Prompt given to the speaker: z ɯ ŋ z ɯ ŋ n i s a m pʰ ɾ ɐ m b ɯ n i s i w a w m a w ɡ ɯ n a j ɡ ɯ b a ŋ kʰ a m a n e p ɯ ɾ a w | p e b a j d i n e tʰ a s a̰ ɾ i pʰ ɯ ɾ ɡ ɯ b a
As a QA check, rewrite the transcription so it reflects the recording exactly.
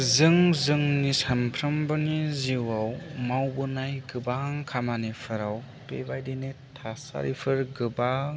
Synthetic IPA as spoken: z ɯ ŋ z ɯ ŋ n i s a m pʰ ɾ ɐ m b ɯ n i z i w a w m a w b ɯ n a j ɡ ɯ b a ŋ kʰ a m a n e pʰ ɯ ɾ a w | p e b a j d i n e tʰ a s a̰ ɾ i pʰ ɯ ɾ ɡ ɯ b a